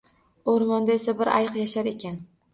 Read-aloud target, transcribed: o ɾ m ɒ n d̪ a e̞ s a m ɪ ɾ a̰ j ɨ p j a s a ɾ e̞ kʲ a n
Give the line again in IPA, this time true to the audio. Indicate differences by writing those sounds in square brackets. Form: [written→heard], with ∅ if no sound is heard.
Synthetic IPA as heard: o ɾ m ɒ n d̪ a e̞ s a [m→b] ɪ ɾ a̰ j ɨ [p→q] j a [s→ʃ] a ɾ e̞ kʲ a n